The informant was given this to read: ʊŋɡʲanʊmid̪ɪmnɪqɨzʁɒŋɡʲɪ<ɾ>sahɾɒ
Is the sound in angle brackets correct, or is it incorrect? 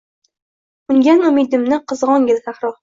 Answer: incorrect: l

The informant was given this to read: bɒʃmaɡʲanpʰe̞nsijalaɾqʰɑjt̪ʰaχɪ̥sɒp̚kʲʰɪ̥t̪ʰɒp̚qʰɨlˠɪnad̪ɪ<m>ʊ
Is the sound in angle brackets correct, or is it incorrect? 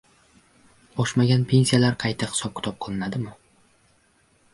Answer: correct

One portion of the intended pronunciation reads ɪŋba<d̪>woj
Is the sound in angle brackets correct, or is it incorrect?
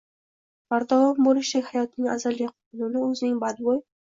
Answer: correct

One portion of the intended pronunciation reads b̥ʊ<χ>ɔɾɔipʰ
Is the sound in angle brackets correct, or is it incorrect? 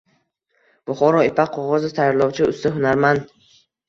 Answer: correct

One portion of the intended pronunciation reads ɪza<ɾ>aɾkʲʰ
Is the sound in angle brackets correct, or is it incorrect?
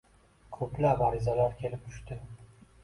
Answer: incorrect: l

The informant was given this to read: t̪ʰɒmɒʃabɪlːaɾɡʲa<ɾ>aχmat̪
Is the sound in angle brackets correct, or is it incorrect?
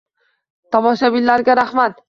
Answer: correct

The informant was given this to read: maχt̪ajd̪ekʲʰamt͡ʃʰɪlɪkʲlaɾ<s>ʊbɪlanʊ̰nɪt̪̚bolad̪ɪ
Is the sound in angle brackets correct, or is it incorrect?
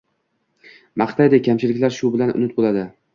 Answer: incorrect: ʃ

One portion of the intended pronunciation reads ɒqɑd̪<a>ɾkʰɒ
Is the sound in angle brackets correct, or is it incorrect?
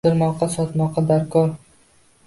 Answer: correct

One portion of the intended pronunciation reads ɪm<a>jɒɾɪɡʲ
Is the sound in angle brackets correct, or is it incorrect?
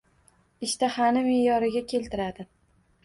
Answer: incorrect: e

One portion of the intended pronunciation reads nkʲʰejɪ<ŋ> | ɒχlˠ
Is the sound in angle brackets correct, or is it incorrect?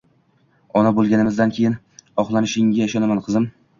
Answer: incorrect: n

